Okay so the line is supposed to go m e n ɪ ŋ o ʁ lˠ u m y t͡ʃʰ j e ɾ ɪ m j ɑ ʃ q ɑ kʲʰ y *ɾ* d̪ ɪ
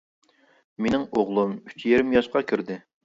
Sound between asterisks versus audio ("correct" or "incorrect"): correct